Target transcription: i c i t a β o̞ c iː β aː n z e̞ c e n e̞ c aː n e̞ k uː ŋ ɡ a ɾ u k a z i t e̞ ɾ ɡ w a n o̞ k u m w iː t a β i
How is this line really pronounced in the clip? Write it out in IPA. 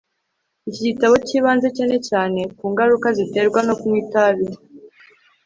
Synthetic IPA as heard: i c i t a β o̞ c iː β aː n z e̞ c e n e̞ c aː n e̞ k uː ŋ ɡ a ɾ u k a z i t e̞ ɾ ɡ w a n o̞ k u m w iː t a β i